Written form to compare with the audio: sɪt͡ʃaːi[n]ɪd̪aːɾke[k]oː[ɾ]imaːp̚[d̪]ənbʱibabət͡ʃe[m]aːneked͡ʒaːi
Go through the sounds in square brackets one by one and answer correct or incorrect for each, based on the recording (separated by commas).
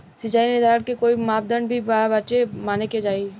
correct, correct, incorrect, correct, correct